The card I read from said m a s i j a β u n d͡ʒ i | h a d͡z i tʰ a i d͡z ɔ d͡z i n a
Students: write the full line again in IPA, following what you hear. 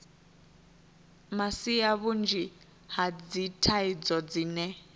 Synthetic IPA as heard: m a s i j a β u n d͡ʒ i | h a d͡z i tʰ a i d͡z ɔ d͡z i n ɛ